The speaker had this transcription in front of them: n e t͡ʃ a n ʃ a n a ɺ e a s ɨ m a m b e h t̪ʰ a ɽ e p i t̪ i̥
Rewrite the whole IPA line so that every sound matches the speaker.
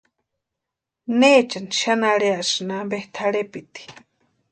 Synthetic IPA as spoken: n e t͡ʃ a n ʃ a n a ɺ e a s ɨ n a m b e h t̪ʰ a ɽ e p i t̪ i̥